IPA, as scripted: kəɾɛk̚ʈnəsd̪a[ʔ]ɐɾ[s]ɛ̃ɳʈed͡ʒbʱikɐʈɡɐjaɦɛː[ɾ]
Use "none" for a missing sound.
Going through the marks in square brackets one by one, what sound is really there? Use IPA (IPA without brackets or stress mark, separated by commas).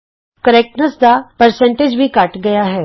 p, s, none